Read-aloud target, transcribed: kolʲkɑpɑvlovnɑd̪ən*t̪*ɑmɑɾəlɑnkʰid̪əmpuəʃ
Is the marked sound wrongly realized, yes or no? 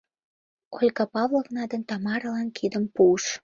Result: no